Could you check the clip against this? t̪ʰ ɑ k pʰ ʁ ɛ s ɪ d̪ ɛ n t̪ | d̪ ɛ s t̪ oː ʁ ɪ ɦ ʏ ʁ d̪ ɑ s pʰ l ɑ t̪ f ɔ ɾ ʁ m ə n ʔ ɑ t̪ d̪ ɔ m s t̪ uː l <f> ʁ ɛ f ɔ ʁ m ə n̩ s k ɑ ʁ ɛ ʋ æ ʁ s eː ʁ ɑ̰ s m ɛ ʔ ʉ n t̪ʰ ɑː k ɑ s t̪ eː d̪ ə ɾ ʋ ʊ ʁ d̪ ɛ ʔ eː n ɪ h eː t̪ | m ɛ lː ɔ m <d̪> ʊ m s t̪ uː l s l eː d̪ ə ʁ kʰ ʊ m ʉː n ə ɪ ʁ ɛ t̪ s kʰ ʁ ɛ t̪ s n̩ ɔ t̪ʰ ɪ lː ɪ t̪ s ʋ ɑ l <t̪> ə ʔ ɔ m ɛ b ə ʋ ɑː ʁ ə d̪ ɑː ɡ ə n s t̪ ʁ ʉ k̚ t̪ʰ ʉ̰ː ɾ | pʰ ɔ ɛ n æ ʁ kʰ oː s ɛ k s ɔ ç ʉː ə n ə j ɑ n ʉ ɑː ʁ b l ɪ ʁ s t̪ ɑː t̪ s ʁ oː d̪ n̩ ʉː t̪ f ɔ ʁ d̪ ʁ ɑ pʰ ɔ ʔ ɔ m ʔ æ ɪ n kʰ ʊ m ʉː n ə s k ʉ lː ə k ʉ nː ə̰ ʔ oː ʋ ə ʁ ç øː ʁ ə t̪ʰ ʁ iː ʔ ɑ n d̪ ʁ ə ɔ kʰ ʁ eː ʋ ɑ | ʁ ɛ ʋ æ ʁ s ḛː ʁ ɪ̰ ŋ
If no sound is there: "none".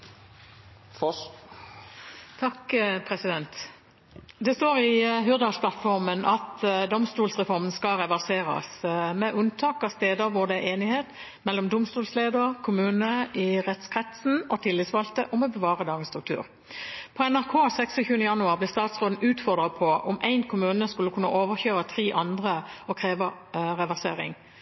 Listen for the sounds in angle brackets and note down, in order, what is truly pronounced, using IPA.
s, d̪, t̪

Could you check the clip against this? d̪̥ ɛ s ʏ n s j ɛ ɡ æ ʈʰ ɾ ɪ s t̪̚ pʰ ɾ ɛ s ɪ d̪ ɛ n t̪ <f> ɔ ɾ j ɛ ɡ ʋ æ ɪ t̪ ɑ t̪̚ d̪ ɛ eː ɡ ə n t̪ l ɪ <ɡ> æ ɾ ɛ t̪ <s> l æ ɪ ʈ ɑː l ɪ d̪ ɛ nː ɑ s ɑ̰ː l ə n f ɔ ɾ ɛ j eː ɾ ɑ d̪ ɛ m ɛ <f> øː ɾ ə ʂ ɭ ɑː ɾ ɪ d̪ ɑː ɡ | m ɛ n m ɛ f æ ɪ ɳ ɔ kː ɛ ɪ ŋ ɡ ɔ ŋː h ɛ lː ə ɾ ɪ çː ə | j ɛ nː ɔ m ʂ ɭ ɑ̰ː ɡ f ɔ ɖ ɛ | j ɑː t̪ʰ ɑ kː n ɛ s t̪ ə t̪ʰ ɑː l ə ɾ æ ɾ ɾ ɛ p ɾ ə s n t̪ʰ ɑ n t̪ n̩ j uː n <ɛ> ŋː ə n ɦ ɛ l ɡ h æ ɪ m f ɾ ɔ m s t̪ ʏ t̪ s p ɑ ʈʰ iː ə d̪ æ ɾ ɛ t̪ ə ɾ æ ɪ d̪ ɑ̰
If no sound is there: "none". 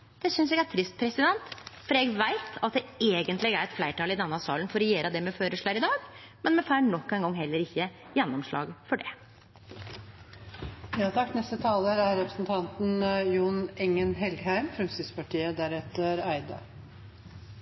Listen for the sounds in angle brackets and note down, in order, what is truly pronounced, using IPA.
f, ɡ, f, f, ɛ

